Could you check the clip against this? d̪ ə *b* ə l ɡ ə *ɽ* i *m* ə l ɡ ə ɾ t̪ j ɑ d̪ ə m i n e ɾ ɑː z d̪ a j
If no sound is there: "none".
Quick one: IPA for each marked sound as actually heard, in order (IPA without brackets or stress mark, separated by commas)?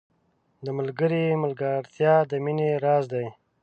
m, ɾ, m